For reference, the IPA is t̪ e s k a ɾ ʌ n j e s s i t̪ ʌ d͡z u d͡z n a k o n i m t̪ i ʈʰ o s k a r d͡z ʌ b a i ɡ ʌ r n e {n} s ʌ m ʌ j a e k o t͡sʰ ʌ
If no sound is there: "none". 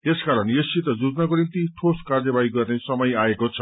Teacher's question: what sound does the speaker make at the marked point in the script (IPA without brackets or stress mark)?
none